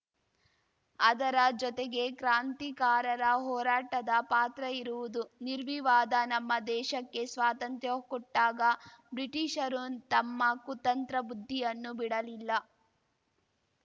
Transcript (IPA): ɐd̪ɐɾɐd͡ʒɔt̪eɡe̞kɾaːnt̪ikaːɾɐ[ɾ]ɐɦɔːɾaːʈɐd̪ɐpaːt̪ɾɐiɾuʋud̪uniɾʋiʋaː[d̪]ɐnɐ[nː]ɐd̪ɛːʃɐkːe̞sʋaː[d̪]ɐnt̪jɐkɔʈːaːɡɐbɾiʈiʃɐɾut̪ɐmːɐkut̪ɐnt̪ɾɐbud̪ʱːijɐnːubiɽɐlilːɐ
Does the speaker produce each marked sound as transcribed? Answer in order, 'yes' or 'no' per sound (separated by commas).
yes, yes, no, no